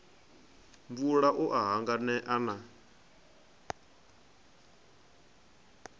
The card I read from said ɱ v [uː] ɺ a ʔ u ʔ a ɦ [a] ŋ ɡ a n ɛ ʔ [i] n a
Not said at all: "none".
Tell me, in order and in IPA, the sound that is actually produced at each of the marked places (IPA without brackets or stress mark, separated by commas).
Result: u, a, a